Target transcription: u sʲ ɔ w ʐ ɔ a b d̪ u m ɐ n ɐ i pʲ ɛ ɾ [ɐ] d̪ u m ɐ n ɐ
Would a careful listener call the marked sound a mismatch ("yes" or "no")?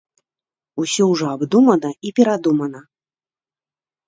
yes